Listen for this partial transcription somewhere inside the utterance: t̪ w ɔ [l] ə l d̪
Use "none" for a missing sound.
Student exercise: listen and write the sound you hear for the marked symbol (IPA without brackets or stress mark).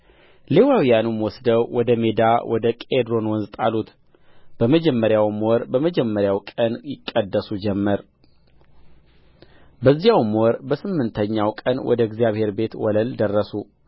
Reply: l